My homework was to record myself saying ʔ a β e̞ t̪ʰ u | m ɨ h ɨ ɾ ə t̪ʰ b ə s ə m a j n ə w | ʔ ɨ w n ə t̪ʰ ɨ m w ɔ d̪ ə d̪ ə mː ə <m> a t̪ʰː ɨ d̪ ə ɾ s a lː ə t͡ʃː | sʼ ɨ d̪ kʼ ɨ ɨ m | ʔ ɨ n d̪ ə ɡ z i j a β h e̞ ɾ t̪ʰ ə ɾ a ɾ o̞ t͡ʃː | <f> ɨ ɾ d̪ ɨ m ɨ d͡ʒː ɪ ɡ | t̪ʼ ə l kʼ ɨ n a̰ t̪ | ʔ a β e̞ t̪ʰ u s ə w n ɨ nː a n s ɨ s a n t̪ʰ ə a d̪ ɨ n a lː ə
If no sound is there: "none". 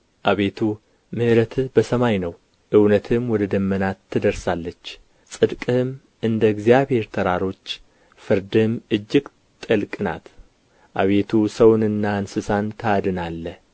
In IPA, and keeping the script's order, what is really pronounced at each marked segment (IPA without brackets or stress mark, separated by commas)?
n, f